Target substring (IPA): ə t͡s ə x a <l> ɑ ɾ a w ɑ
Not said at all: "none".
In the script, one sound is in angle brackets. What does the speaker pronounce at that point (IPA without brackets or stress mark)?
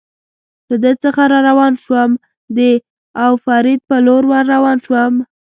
ɾ